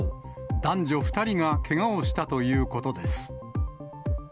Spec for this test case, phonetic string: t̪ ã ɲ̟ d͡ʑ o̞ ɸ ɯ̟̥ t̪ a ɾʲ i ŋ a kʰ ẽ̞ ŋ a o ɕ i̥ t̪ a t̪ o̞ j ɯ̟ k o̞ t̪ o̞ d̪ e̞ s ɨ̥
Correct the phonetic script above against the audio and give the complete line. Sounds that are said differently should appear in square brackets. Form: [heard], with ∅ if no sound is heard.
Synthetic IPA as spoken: [d̪] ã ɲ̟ d͡ʑ o̞ ɸ ɯ̟̥ t̪ a ɾʲ i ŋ a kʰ [e̞] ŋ a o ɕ i̥ t̪ a t̪ o̞ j [ɯ̟ː] k o̞ t̪ o̞ d̪ e̞ s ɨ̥